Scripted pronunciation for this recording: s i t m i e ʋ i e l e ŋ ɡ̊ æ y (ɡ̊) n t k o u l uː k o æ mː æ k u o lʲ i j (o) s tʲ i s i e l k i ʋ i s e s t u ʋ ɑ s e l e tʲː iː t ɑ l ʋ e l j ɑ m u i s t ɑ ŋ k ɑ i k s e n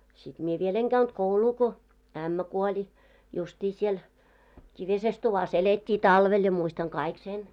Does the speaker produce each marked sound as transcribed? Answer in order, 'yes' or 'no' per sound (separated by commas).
no, no